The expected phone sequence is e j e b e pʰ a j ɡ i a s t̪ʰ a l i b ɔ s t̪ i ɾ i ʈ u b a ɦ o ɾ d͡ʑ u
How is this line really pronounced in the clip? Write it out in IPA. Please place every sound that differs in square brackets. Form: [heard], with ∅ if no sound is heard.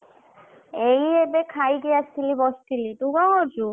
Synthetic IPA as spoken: e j e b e [kʰ] a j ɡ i a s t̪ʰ [i] l i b ɔ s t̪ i [l] i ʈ u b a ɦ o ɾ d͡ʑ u